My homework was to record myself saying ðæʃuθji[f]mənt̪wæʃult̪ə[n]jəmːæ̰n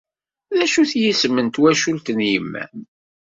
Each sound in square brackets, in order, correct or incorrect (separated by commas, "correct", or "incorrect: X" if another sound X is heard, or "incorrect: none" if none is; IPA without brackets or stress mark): incorrect: s, correct